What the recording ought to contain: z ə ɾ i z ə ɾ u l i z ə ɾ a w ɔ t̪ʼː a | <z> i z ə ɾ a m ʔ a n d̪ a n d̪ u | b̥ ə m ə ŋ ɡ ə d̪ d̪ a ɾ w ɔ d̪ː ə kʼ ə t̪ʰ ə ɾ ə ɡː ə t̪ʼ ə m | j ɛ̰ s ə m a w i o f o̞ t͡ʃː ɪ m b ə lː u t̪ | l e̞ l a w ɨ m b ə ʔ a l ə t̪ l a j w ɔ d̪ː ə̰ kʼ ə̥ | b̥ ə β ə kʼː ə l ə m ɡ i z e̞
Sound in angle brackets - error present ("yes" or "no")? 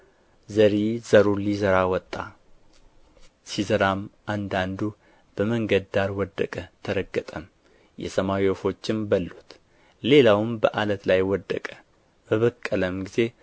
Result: yes